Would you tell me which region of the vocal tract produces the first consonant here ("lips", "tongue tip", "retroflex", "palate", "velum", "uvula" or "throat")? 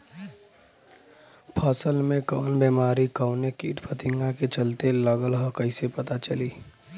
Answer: lips